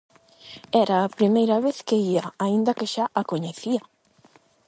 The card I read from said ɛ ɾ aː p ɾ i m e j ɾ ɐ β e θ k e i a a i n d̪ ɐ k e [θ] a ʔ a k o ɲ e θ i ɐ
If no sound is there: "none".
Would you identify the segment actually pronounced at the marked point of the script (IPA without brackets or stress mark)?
ʃ